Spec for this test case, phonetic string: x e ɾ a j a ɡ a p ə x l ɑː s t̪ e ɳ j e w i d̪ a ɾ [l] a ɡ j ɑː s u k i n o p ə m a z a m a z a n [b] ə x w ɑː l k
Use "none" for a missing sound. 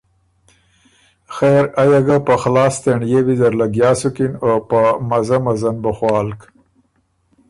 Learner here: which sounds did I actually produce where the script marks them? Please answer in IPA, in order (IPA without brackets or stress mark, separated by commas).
l, b